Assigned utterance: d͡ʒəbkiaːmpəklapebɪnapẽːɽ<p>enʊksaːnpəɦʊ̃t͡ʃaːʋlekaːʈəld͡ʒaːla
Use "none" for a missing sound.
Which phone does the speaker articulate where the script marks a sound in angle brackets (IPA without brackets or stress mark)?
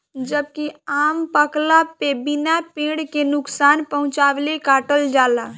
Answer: k